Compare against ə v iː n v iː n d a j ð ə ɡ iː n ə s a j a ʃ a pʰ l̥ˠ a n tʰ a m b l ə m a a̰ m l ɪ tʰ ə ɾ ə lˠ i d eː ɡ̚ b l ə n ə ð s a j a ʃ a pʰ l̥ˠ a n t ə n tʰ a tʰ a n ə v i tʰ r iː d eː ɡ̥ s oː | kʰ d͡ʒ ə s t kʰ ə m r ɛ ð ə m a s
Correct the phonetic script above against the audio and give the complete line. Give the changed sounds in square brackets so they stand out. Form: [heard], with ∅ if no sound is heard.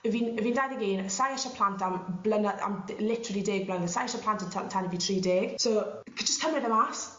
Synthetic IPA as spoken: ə v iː n v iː n d a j ð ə ɡ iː n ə s a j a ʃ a pʰ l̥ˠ a n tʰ a m b l ə [n] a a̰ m l ɪ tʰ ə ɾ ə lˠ i d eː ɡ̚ b l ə n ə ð s a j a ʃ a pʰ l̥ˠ a n t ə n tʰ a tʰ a n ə v i tʰ r iː d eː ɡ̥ s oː | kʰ d͡ʒ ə s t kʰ ə m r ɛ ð ə m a s

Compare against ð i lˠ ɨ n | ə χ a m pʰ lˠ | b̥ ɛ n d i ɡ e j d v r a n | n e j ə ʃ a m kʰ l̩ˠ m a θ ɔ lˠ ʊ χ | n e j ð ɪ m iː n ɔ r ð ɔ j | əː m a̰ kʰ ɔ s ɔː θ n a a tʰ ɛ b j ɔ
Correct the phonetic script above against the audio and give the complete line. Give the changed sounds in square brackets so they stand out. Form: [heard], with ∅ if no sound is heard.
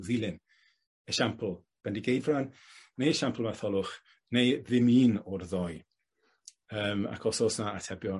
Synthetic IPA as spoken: ð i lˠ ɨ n | ə [ʃ] a m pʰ lˠ | b̥ ɛ n d i ɡ e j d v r a n | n e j ə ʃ a m [pʰ] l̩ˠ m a θ ɔ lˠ ʊ χ | n e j ð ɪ m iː n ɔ r ð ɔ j | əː m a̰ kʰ ɔ s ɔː [s] n a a tʰ ɛ b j ɔ

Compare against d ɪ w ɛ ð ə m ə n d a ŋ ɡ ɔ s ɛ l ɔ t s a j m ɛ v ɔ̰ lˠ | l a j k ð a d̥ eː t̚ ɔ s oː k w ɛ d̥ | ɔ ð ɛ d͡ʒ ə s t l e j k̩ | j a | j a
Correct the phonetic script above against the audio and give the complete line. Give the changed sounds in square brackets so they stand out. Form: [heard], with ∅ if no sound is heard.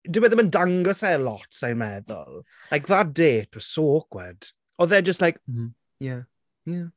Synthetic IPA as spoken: d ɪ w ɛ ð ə m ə n d a ŋ ɡ ɔ s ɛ l ɔ t s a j m ɛ [ð] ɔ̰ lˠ | l a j k ð a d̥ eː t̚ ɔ s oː k w ɛ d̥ | ɔ ð ɛ d͡ʒ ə s t l [a] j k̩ | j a | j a

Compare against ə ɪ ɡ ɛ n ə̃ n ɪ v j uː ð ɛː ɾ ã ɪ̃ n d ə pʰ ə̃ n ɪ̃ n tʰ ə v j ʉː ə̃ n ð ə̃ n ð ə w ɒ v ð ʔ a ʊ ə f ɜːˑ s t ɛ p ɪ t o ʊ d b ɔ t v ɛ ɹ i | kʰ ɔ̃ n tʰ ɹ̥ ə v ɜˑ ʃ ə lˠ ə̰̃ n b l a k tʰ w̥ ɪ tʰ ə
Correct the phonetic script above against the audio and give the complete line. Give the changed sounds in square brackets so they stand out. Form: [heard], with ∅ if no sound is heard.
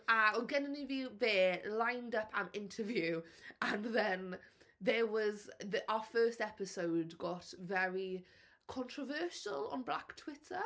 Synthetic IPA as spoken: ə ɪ ɡ ɛ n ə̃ n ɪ v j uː ð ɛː [l] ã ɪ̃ n d ə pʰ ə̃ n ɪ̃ n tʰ ə v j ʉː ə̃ n ð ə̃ n ð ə w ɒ [z] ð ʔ a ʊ ə f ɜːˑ s t ɛ p ɪ [s] o ʊ d [ɡ] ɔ t v ɛ ɹ i | kʰ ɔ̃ n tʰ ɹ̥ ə v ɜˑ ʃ ə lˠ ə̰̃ n b l a k tʰ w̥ ɪ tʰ ə

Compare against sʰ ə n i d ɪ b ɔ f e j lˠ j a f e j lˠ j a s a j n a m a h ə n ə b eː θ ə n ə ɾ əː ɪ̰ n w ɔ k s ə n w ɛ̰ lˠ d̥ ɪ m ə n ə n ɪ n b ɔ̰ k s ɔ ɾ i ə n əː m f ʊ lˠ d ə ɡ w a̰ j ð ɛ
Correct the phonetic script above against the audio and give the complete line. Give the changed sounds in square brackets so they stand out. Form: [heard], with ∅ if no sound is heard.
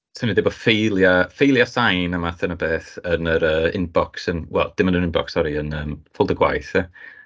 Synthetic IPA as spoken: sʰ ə n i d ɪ b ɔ f e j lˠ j a f e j lˠ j a s a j n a m a [θ] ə n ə b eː θ ə n ə ɾ əː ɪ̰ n [b] ɔ k s ə n w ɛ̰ lˠ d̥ ɪ m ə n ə n ɪ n b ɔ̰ k s ɔ ɾ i ə n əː m f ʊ lˠ d ə ɡ w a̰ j [θ] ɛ

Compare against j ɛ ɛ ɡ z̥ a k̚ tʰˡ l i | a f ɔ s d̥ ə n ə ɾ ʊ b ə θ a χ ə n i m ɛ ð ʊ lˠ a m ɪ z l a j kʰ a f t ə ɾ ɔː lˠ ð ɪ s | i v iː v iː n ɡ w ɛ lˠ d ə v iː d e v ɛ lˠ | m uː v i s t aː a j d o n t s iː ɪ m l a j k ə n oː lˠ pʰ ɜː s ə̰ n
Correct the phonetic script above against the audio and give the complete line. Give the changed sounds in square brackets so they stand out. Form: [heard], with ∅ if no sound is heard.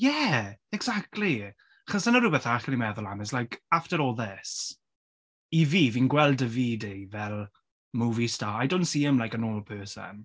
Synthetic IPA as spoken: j ɛ ɛ ɡ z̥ a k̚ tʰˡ l i | a [χ] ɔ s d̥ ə n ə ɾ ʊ b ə θ a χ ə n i m ɛ ð ʊ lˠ a m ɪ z l a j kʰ a f t ə ɾ ɔː lˠ ð ɪ s | i v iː v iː n ɡ w ɛ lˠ d ə v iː d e v ɛ lˠ | m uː v i s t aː a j d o n t s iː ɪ m l a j k ə n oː lˠ pʰ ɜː s ə̰ n

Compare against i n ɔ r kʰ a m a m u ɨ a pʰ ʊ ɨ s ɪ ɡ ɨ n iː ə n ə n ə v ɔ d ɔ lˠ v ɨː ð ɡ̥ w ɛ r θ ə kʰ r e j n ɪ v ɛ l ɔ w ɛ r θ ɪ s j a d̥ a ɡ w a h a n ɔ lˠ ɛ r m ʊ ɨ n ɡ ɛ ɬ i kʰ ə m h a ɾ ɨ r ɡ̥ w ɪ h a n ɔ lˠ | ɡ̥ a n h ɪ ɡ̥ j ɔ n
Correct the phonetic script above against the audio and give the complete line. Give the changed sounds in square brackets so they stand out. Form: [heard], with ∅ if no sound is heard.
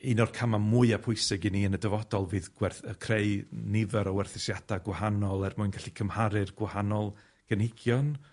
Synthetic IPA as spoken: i n ɔ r kʰ a m a m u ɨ a pʰ ʊ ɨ s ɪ ɡ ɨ n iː ə n ə [d] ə v ɔ d ɔ lˠ v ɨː ð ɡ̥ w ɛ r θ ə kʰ r e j n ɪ v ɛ [ɾ] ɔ w ɛ r θ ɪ s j a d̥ a ɡ w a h a n ɔ lˠ ɛ r m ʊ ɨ n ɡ [a] ɬ i kʰ ə m h a ɾ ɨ r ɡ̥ w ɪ h a n ɔ lˠ | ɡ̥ [ə] n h ɪ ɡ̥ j ɔ n

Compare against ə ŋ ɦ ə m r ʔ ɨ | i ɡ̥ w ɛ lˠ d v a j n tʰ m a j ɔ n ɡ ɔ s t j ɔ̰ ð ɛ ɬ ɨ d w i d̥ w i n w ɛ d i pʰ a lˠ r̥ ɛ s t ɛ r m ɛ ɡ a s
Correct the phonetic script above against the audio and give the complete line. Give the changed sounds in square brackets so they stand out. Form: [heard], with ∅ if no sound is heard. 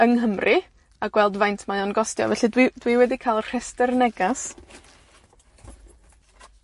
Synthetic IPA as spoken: ə ŋ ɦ ə m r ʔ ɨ | [a] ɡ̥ w ɛ lˠ d v a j n tʰ m a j ɔ n ɡ ɔ s t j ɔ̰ [v] ɛ ɬ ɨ d w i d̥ w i [∅] w ɛ d i [kʰ] a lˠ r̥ ɛ s t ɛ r [n] ɛ ɡ a s

